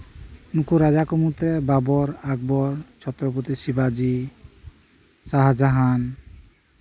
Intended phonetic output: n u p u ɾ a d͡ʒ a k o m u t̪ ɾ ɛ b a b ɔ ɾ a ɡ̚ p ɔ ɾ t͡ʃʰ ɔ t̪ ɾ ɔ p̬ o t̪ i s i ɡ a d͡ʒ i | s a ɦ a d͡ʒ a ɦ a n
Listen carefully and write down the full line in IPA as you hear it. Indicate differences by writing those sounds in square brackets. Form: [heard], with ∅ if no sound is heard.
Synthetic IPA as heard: n u [k] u ɾ a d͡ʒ a k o m u t̪ ɾ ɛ b a b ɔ ɾ a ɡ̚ [b] ɔ ɾ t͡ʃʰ ɔ t̪ ɾ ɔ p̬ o t̪ i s i [b] a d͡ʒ i | s a ɦ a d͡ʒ a ɦ a n